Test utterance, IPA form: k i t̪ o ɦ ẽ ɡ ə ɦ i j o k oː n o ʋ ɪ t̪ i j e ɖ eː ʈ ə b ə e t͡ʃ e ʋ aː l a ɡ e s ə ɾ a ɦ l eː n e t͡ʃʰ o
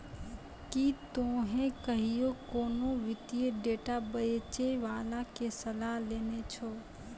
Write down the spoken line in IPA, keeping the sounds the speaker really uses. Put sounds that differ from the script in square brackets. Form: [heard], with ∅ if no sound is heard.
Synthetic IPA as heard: k i t̪ o ɦ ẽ [k] ə ɦ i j o k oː n o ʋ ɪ t̪ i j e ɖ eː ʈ [a] b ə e t͡ʃ e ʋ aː l a [k] e s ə [l] a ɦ l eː n e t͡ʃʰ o